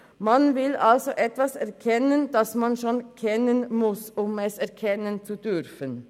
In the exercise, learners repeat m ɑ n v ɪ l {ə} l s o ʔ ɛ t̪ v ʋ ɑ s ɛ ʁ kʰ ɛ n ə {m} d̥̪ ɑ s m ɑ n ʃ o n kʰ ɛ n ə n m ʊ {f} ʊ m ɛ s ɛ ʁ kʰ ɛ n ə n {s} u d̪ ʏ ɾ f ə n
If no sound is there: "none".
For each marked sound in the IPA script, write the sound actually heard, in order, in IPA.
ɑ, n, s, t͡s

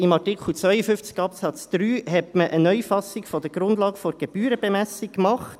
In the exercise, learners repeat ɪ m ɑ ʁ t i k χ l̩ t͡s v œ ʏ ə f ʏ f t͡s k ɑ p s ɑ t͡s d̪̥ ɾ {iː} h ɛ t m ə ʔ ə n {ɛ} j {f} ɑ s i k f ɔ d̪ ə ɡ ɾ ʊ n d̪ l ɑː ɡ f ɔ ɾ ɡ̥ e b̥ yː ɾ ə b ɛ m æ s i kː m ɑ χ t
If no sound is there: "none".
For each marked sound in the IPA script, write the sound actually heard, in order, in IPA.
yː, œ, f

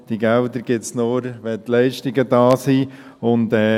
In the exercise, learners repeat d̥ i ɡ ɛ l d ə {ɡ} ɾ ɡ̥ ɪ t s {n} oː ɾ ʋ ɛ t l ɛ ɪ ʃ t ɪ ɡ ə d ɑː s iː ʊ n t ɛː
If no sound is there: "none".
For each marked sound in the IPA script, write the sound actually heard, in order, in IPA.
none, n

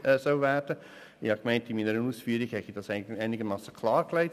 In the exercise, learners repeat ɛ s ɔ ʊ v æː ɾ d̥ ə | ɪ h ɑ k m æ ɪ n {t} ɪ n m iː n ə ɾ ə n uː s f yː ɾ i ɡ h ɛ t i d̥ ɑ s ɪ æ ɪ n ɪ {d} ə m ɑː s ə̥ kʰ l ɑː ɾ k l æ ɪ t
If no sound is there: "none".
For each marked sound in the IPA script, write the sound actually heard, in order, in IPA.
t, ɡ

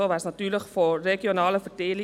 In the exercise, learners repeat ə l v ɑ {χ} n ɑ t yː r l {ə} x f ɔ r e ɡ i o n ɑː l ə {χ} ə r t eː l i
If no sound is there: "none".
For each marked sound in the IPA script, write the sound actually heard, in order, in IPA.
s, ə, f

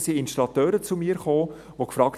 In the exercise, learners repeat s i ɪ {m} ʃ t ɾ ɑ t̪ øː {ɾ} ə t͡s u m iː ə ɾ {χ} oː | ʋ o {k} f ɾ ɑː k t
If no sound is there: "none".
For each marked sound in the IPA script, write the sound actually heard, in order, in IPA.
n, ɾ, χ, k

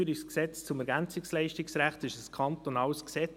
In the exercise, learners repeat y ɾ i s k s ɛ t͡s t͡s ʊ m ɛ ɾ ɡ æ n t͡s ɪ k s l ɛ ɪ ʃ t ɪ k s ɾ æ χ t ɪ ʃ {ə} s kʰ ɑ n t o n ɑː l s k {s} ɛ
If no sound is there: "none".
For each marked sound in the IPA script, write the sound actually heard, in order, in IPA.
ə, s

